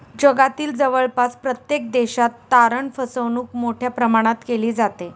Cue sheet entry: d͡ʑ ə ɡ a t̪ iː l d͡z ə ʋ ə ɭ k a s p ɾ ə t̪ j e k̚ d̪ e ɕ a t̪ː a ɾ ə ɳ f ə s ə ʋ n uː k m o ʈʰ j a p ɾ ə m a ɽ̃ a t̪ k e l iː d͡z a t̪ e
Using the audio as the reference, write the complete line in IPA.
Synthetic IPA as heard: d͡ʑ ə ɡ a t̪ iː l d͡z ə ʋ ə ɭ p a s p ɾ ə t̪ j e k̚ d̪ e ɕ a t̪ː a ɾ ə ɳ f ə s ə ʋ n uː k m o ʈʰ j a p ɾ ə m a ɽ̃ a t̪ k e l iː d͡z a t̪ e